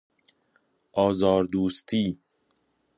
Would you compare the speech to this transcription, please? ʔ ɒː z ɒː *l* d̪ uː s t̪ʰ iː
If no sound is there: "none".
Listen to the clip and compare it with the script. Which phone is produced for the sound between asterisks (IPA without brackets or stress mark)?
ɾ